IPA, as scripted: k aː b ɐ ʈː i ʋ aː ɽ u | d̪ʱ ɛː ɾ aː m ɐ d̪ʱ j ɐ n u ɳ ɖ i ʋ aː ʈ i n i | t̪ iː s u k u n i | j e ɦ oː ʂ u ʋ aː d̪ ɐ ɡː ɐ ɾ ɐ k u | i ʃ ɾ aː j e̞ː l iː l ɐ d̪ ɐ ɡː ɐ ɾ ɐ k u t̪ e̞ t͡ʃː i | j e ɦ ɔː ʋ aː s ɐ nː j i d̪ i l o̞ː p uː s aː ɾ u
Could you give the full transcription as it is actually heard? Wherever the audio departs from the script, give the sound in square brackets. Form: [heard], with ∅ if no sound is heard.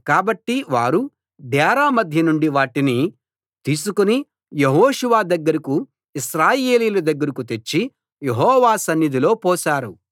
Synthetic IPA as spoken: k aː b ɐ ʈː i ʋ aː [ɾ] u | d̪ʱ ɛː ɾ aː m ɐ d̪ʱ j ɐ n u ɳ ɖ i ʋ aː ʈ i n i | t̪ iː s u k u n i | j e ɦ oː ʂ u ʋ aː d̪ ɐ ɡː ɐ ɾ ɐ k u | i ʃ ɾ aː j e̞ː l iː l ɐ d̪ ɐ ɡː ɐ ɾ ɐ k u t̪ e̞ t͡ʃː i | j e ɦ ɔː ʋ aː s ɐ nː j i d̪ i l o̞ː p [ɔː] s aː ɾ u